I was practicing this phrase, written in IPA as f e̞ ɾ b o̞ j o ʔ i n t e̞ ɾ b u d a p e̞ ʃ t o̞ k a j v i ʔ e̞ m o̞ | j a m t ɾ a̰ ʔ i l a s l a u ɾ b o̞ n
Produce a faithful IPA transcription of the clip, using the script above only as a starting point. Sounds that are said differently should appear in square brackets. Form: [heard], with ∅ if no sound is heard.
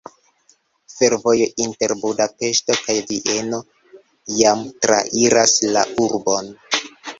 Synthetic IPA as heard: f e̞ ɾ [v] o̞ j o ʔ i n t e̞ ɾ b u d a p e̞ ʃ t o̞ k a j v i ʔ e̞ [n] o̞ | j a m t ɾ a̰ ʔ i [ɾ] a s l a u ɾ b o̞ n